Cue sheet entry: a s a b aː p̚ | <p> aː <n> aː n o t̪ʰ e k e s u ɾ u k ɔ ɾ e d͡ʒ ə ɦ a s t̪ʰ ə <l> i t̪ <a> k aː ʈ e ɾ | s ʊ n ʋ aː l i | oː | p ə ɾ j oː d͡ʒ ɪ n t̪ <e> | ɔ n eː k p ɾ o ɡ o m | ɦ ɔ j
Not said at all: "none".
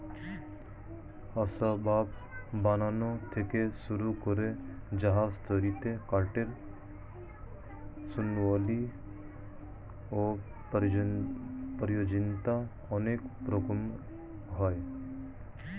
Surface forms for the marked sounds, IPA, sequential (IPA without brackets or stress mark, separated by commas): b, n, ɾ, e, a